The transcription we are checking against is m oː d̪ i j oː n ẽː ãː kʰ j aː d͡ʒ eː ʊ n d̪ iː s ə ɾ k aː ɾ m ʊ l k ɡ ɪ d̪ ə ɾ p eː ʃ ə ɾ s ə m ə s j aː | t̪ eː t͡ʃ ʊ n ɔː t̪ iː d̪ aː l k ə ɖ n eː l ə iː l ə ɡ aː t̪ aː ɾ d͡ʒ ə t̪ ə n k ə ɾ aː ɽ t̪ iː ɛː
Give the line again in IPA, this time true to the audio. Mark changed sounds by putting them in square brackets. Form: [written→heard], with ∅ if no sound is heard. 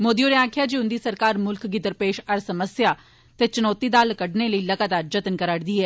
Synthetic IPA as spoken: m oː d̪ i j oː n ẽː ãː kʰ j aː d͡ʒ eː ʊ n d̪ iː s ə ɾ k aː ɾ m ʊ l k ɡ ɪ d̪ ə ɾ p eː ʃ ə ɾ s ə m ə s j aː | t̪ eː t͡ʃ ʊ n ɔː t̪ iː d̪ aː l k ə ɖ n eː l ə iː l ə ɡ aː t̪ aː ɾ d͡ʒ ə t̪ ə n k ə ɾ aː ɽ [t̪→d̪] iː ɛː